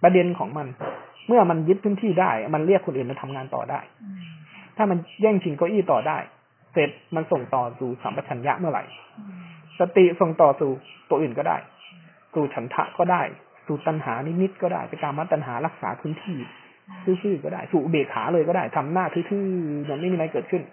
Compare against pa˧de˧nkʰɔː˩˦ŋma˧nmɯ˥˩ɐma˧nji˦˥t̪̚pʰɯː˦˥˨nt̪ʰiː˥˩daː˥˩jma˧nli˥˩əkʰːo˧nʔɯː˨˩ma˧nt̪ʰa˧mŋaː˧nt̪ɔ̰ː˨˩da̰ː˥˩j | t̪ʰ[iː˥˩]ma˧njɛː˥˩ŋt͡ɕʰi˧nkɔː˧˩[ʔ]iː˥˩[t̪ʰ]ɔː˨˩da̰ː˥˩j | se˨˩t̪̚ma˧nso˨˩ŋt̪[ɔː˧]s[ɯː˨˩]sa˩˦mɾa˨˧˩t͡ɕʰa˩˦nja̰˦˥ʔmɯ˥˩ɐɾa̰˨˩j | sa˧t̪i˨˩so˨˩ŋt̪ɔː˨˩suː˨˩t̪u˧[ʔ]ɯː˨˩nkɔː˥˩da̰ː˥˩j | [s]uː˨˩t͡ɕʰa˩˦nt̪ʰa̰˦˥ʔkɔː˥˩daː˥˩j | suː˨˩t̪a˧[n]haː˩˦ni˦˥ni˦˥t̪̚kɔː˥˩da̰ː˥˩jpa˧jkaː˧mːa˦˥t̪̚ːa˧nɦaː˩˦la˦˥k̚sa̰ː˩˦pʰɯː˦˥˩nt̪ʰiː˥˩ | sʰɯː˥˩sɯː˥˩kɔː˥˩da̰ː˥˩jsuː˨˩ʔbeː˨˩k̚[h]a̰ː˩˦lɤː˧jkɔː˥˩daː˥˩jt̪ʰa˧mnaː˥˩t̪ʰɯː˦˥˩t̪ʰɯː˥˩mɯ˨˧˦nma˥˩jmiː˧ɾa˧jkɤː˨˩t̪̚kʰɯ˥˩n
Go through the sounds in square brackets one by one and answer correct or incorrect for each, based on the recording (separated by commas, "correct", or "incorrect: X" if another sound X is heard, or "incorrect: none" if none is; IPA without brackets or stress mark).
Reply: incorrect: aː˥˩, correct, incorrect: t̪, incorrect: ɔː˨˩, incorrect: uː˨˩, correct, correct, correct, correct